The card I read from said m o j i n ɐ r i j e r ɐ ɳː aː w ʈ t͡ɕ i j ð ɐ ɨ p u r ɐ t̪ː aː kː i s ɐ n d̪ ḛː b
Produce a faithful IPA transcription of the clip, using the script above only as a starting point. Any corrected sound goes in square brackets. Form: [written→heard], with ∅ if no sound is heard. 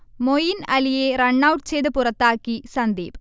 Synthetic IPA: m o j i n ɐ [r→l] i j e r ɐ ɳː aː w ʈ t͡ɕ [i→e] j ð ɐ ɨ p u r ɐ t̪ː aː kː i s ɐ n d̪ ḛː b